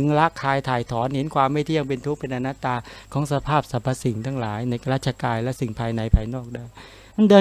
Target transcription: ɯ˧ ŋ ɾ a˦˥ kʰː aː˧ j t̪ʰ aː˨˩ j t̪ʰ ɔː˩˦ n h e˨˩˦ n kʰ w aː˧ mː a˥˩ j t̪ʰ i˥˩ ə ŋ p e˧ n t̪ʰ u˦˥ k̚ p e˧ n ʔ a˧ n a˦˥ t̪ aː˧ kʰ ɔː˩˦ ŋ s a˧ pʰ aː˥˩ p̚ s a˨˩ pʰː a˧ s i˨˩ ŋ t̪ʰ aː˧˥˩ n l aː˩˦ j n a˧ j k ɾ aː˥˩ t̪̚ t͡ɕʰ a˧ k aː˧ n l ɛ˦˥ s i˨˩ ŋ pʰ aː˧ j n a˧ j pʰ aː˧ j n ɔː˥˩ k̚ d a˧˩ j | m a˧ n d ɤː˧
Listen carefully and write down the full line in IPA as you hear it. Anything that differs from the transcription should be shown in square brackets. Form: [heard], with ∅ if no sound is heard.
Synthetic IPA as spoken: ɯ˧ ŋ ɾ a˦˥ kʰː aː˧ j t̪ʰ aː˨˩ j t̪ʰ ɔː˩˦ n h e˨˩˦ n kʰ w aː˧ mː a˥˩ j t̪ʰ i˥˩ ə ŋ p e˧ n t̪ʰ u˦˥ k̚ p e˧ n ʔ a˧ n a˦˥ t̪ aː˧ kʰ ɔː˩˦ ŋ s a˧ pʰ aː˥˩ p̚ s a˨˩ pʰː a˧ s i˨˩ ŋ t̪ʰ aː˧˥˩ [ŋ] l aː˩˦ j n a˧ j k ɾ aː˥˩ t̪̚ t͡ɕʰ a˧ k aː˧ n l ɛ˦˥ s i˨˩ ŋ pʰ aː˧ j n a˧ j pʰ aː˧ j n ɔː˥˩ k̚ d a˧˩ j | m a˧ n d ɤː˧